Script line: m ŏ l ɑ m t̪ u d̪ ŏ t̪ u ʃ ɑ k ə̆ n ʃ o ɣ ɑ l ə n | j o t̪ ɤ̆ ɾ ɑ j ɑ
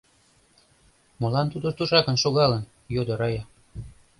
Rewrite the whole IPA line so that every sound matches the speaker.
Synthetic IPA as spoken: m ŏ l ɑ n t̪ u d̪ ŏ t̪ u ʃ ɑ k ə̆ n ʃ o ɣ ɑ l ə n | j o d̪ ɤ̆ ɾ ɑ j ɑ